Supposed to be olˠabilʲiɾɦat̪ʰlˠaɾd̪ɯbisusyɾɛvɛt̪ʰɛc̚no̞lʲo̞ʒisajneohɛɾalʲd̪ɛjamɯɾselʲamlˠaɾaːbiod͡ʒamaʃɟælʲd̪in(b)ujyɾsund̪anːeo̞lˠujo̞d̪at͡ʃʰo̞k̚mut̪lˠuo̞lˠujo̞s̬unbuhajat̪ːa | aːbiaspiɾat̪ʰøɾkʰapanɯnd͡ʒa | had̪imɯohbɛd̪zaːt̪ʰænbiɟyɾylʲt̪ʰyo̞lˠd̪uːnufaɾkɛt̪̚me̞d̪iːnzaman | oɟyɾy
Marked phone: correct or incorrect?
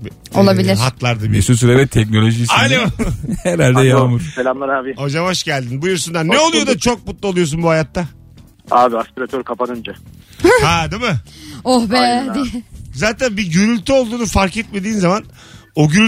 correct